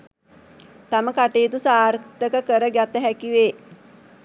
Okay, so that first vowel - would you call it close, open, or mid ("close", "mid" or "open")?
open